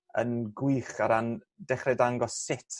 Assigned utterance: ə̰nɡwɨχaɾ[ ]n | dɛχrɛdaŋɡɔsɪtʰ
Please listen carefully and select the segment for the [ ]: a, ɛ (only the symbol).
a